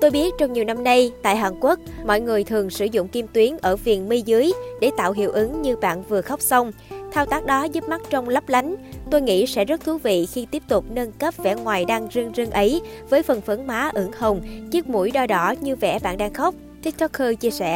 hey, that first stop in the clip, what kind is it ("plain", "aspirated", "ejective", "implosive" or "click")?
plain